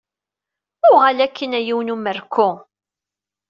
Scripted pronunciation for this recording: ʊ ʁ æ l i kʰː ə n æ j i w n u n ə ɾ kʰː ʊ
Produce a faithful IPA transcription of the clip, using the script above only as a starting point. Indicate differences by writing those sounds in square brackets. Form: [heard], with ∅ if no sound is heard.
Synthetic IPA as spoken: ʊ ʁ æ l [æ] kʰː ə n æ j i w n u [m] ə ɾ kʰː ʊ